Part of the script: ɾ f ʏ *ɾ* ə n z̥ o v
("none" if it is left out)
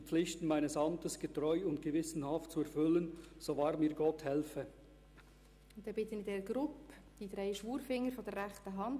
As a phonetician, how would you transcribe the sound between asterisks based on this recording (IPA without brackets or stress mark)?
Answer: l